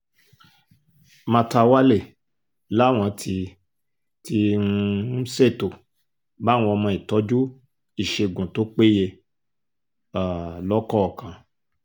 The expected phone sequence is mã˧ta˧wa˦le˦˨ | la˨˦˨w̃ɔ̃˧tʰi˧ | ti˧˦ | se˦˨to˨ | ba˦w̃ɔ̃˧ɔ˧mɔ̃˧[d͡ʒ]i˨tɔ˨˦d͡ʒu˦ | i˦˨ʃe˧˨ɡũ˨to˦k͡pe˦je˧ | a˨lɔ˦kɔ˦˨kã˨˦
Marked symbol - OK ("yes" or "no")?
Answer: no